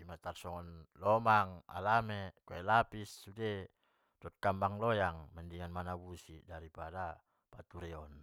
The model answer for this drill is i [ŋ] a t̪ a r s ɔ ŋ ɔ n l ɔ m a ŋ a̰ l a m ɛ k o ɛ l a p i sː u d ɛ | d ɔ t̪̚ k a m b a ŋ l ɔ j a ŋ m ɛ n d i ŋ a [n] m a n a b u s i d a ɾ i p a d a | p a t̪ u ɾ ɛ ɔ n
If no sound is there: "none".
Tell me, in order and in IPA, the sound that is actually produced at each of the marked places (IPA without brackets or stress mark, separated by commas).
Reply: m, n